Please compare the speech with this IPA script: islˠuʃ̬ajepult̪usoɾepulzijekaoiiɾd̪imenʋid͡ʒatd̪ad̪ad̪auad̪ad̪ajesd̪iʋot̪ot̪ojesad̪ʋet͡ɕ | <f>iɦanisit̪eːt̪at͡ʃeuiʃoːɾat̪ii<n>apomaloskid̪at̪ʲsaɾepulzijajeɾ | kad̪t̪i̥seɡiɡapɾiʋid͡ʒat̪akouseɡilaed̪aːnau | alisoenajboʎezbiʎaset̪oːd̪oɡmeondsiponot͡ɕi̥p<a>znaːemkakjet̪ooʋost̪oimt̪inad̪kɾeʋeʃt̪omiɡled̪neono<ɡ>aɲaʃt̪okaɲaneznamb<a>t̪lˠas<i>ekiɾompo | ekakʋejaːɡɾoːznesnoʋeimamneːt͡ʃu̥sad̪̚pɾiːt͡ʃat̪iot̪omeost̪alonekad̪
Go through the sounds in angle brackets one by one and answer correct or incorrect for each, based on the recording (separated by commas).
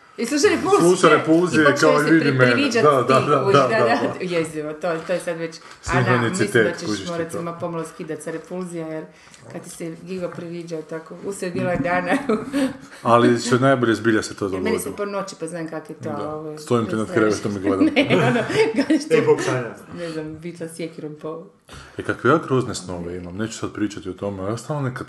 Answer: incorrect, incorrect, correct, correct, incorrect, incorrect